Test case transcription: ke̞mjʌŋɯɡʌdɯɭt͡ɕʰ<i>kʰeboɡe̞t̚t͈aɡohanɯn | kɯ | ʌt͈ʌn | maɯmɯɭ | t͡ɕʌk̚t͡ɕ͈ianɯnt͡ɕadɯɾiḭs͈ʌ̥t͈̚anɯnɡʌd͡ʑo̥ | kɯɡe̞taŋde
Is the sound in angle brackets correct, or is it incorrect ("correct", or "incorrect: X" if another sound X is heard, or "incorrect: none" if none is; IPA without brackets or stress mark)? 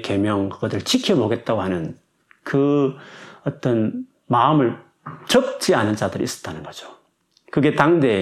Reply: correct